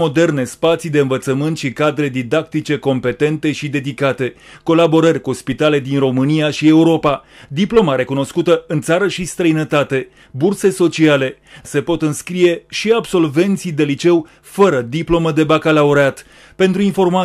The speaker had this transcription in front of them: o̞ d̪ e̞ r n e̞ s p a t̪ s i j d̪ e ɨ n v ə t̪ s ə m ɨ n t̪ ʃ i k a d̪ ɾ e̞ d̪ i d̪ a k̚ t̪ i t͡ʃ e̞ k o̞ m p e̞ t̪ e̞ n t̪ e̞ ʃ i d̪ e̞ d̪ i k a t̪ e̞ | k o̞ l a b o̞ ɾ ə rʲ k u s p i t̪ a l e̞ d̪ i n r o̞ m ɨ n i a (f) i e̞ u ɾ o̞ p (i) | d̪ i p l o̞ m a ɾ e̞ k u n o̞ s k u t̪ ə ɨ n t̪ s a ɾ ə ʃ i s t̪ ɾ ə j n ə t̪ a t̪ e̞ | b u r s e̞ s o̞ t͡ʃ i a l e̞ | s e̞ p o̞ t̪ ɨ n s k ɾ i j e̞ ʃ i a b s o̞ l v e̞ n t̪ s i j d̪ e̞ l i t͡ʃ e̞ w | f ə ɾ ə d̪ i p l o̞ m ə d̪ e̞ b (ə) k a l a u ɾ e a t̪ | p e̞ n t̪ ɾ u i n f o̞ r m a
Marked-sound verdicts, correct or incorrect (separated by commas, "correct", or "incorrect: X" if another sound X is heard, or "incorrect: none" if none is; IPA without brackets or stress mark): incorrect: ʃ, incorrect: a, incorrect: a